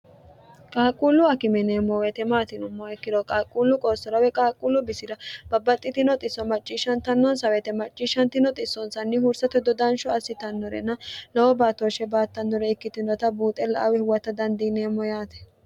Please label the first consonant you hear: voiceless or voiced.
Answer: voiceless